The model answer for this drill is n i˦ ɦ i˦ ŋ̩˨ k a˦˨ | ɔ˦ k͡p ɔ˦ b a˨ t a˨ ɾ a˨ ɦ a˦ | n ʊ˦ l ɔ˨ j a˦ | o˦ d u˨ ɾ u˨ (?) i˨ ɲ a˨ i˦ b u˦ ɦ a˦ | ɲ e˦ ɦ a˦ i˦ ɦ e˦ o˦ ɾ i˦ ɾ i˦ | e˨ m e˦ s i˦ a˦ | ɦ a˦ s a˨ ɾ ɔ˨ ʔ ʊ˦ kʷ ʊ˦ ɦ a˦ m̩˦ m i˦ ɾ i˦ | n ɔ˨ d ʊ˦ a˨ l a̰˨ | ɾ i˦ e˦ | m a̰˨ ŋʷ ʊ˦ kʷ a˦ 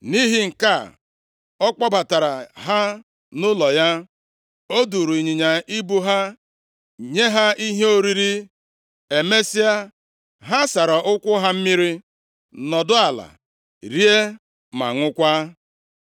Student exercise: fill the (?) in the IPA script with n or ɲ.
ɲ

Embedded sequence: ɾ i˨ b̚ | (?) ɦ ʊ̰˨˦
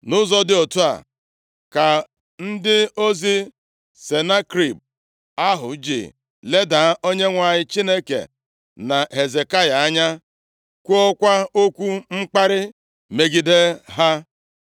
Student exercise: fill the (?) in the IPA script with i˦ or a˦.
a˦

